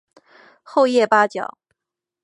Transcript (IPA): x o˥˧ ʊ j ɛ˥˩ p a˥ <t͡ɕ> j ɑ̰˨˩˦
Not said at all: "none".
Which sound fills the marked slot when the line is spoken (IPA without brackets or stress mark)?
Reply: t͡ɕ